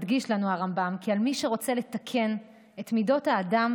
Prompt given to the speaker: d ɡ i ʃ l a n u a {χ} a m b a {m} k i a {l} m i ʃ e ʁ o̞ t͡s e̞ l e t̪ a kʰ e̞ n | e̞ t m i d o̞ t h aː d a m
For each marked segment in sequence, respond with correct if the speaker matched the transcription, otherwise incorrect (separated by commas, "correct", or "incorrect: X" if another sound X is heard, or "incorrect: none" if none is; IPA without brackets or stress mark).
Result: incorrect: ʁ, correct, correct